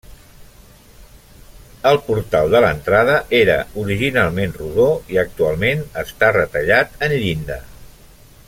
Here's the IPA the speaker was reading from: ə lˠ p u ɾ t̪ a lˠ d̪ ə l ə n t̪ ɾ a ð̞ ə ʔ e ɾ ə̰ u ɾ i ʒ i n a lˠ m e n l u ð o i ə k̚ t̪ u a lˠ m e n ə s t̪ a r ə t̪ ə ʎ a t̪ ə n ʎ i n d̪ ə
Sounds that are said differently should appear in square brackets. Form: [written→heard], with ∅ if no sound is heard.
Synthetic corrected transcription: ə lˠ p u ɾ t̪ a lˠ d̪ ə l ə n t̪ ɾ a ð̞ ə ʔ e ɾ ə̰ u ɾ i ʒ i n a lˠ m e n [l→r] u ð o i ə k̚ t̪ u a lˠ m e n ə s t̪ a r ə t̪ ə ʎ a t̪ ə n ʎ i n d̪ ə